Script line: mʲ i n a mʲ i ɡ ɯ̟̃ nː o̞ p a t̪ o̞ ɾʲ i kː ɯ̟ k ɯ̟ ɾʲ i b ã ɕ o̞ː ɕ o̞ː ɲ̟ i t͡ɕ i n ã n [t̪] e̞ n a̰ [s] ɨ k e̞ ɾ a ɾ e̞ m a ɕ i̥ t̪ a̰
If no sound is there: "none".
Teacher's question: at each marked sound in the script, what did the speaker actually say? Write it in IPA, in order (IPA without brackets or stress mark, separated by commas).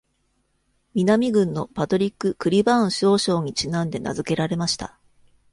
d̪, z